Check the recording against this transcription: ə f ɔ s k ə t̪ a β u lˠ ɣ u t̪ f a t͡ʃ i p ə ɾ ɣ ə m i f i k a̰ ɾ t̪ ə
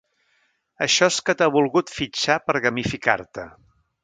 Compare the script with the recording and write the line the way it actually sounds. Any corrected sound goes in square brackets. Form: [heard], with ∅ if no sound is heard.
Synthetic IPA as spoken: ə [ʃ] ɔ s k ə t̪ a β u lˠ ɣ u t̪ f [i] t͡ʃ [a] p ə ɾ ɣ ə m i f i k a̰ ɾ t̪ ə

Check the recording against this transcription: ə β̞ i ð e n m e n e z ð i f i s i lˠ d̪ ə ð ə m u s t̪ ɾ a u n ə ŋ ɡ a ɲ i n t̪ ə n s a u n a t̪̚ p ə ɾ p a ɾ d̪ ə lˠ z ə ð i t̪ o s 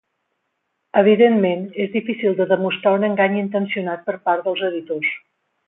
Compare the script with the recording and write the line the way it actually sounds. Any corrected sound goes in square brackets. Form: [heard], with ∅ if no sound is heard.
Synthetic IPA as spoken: ə β̞ i ð e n m e n e z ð i f i s i lˠ d̪ ə ð ə m u s t̪ ɾ a u n ə ŋ ɡ a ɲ i n t̪ ə n s [i] u n a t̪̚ p ə ɾ p a ɾ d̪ ə lˠ z ə ð i t̪ o s

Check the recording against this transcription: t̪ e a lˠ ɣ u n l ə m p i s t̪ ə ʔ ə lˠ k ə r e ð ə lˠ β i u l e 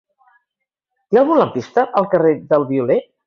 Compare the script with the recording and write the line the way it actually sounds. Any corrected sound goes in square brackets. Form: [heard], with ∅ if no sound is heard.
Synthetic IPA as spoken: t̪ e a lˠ ɣ u n l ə m p i s t̪ ə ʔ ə lˠ k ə r e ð ə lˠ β i u l e

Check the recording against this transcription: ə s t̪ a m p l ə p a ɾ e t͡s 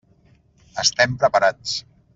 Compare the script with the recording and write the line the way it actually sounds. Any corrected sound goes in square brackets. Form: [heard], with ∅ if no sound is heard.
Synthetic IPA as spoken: ə s t̪ [ɛ] m p [ɾ] ə p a ɾ [a] t͡s

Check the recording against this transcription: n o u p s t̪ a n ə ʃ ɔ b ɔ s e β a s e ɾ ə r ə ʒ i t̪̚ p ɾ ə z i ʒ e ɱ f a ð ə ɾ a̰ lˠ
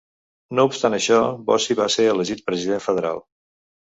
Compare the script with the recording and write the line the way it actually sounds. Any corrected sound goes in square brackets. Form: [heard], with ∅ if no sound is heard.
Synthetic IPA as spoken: n o u p s t̪ a n ə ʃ ɔ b ɔ s [i] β a s e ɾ ə [l] ə ʒ i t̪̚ p ɾ ə z i [ð] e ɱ f [ə] ð ə ɾ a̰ lˠ

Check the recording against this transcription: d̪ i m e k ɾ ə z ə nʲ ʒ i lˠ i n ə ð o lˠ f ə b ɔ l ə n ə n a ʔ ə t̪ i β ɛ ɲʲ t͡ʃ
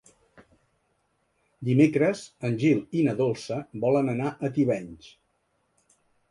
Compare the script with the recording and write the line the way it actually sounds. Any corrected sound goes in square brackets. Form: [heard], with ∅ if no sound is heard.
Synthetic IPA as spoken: d̪ i m e k ɾ ə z ə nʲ ʒ i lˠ i n ə ð o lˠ [s] ə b ɔ l ə n ə n a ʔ ə t̪ i β ɛ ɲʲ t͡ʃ

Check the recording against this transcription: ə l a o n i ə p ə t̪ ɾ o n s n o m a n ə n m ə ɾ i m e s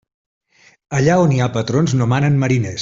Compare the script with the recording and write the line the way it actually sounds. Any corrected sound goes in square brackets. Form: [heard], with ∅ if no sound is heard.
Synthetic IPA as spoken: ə [ʎ] a o n i [a] p ə t̪ ɾ o n [z] n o m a n ə n m ə ɾ i [n] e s

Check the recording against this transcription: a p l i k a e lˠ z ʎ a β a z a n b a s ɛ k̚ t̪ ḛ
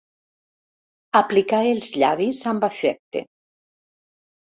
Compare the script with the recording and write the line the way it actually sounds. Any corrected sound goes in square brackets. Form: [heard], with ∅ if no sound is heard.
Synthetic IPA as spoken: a p l i k a e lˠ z ʎ a β [i] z a [m] b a [f] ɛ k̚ t̪ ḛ

